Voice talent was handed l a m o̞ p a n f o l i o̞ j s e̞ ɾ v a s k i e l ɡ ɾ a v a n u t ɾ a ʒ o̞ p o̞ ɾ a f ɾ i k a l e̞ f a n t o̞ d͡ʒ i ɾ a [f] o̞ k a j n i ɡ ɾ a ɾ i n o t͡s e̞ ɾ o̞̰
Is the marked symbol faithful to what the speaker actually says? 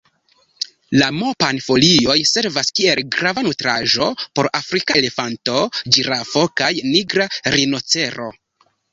yes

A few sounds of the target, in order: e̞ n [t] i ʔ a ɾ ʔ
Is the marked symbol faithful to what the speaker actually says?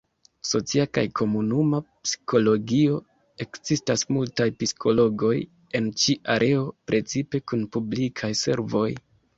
no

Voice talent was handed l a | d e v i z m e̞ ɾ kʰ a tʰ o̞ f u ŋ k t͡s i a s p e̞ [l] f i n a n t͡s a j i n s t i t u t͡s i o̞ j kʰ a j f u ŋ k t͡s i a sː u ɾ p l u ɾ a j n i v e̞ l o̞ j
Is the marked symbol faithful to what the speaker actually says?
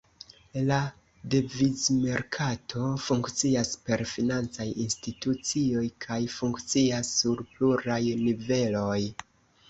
no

